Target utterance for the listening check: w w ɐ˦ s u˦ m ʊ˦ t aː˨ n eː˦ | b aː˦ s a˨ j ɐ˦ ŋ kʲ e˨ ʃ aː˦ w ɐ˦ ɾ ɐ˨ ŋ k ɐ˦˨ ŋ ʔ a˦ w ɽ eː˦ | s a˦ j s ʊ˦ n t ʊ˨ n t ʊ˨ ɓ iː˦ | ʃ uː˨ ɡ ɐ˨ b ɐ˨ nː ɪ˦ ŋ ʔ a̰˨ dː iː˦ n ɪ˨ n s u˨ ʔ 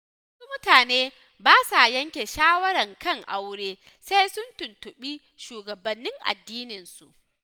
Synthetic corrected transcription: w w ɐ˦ s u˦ m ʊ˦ t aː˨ n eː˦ | b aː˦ s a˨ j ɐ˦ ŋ kʲ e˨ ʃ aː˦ w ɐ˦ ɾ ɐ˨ ŋ k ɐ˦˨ ŋ ʔ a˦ w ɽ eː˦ | s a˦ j s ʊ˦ n t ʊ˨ n t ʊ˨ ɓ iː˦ | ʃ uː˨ ɡ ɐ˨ b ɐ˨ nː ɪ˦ ŋ ʔ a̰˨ dː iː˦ n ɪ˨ n s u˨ ʔ